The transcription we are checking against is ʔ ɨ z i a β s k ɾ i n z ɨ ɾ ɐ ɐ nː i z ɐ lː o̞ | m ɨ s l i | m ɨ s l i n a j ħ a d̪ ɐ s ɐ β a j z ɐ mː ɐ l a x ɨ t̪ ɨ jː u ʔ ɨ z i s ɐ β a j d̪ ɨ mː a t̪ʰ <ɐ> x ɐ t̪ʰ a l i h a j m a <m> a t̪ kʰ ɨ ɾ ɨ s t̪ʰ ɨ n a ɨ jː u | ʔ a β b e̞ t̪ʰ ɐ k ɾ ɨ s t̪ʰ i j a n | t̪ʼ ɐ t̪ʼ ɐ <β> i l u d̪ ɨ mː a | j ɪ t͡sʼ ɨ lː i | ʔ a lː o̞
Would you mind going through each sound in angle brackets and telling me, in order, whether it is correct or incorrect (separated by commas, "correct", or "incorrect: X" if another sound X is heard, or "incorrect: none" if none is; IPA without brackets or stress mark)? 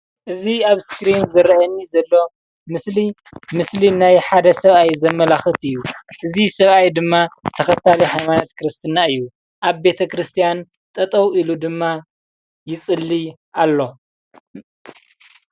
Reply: correct, incorrect: n, incorrect: w